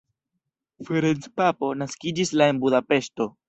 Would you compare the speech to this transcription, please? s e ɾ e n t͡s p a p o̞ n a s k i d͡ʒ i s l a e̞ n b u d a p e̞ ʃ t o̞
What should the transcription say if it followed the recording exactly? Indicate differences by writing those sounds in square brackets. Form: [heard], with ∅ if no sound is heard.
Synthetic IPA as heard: [f] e ɾ e n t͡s p a p o̞ n a s k i d͡ʒ i s l a e̞ n b u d a p e̞ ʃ t o̞